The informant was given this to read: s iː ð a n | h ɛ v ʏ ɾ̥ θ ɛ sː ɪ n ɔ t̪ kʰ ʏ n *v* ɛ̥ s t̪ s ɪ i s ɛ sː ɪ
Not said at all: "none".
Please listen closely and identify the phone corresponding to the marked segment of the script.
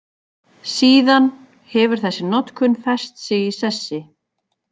f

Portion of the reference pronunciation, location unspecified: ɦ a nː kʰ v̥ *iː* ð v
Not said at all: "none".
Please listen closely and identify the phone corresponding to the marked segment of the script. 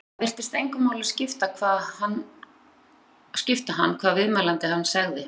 aː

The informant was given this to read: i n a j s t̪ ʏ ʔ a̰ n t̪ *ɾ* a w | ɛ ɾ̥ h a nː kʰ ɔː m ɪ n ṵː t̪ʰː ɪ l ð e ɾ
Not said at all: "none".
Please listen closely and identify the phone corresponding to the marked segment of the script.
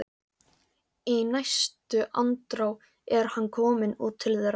ɾ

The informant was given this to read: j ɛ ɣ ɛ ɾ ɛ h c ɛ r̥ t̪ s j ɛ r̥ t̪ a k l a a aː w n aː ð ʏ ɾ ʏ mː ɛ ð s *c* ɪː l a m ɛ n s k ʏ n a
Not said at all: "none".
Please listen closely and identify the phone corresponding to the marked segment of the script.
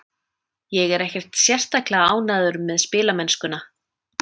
p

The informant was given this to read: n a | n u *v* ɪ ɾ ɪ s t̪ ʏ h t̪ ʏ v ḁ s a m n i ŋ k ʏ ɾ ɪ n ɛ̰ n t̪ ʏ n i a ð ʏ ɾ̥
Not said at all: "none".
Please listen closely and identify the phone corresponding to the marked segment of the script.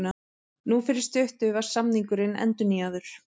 f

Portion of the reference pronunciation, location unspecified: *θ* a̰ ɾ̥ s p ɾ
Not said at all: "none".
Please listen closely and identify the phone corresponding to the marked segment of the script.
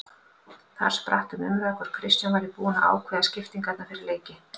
θ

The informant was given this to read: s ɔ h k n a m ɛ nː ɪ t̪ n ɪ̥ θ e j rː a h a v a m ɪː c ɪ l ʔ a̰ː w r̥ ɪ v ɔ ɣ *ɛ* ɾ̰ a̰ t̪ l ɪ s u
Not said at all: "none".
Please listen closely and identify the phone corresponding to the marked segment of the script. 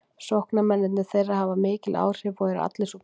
ɛ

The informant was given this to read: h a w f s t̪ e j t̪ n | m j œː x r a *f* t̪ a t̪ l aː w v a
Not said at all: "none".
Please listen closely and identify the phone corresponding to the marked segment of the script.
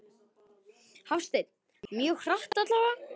h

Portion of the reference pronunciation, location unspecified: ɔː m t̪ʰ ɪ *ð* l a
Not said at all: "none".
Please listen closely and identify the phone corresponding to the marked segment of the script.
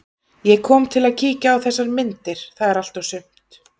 none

